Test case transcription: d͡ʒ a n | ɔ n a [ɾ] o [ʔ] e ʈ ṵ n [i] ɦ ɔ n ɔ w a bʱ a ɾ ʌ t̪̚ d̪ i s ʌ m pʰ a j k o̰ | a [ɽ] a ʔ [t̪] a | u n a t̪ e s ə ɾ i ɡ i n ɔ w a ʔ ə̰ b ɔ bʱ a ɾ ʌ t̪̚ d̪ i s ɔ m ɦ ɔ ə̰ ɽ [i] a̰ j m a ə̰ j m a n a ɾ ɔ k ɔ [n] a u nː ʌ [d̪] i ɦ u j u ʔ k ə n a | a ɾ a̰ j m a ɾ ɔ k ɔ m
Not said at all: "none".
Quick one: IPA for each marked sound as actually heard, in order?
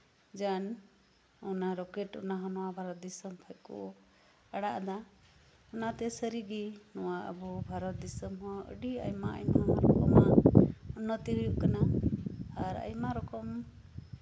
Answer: ɾ, k, a, ɽ, d̪, i, m, t̪

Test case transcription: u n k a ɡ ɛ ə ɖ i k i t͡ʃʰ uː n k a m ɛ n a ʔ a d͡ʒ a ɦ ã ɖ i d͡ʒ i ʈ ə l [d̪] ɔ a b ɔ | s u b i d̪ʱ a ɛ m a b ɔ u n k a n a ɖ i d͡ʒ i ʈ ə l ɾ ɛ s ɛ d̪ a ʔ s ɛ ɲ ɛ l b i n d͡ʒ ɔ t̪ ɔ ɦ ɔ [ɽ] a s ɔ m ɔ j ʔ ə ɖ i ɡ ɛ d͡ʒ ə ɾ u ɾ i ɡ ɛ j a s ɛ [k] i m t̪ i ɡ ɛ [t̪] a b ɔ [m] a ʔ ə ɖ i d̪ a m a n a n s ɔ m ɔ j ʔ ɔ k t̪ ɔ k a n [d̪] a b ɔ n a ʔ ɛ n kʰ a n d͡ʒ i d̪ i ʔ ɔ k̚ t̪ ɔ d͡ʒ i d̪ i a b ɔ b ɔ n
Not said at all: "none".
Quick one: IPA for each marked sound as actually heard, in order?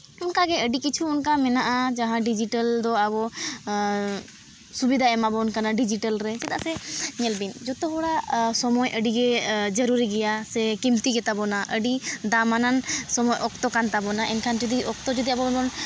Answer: d̪, ɽ, k, t̪, n, t̪

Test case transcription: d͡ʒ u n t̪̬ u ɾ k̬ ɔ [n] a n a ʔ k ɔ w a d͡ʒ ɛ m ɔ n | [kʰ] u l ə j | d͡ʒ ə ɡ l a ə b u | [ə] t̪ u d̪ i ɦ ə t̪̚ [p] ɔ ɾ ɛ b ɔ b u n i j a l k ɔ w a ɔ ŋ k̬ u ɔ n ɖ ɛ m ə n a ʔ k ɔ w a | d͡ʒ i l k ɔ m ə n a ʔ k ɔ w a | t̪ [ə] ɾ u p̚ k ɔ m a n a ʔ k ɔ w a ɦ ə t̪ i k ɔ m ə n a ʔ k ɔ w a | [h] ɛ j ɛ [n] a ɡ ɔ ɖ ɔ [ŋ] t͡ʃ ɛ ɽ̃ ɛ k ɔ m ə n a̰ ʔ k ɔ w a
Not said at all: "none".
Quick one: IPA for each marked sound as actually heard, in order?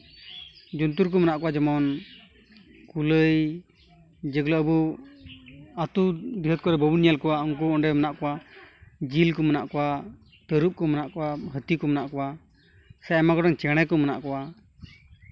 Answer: m, k, a, k, ə, s, m, ŋ

